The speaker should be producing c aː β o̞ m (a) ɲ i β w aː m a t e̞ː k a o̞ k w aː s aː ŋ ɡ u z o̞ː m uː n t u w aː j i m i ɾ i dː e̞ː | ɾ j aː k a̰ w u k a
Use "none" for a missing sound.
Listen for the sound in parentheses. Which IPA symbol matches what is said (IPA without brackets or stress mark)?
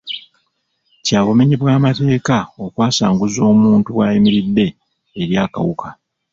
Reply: e